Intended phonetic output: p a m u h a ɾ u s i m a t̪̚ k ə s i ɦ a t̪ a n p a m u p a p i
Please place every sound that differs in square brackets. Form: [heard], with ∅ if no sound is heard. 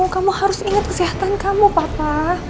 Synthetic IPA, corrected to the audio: [k] a m u h a ɾ [ʊ] s i [ŋ] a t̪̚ k ə s i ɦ a t̪ a n [k] a m u p a p [a]